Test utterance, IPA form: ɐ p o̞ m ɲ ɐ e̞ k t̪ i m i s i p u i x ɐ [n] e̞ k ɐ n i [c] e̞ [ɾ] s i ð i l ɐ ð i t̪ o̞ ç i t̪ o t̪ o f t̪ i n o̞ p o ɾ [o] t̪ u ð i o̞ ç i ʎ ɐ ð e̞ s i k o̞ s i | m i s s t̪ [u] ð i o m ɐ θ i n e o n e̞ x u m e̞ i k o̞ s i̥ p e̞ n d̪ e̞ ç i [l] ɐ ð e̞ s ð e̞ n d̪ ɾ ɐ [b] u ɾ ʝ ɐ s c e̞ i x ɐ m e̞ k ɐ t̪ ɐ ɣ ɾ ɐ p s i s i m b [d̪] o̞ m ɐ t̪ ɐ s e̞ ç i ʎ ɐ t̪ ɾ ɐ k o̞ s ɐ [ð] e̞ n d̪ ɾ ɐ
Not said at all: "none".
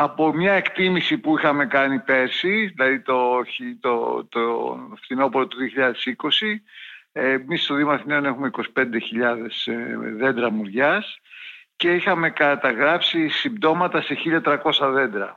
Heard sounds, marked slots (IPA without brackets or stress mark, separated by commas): m, p, ɾ, o, o, ʎ, m, d̪, ð